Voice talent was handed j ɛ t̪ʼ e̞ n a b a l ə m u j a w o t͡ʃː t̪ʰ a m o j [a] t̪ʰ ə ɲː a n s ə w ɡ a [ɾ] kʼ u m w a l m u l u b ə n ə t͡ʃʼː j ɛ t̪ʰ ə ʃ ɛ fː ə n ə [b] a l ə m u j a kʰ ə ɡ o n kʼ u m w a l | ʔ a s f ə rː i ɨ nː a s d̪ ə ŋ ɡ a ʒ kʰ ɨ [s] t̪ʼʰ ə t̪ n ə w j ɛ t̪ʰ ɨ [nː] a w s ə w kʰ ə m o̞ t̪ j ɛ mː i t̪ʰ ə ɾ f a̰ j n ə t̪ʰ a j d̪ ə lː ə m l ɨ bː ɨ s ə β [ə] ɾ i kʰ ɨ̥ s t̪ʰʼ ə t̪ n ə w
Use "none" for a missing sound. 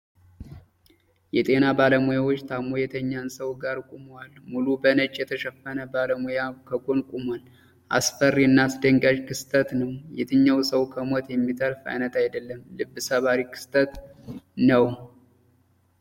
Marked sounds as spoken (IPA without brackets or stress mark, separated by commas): ɛ, ɾ, b, s, ɲː, a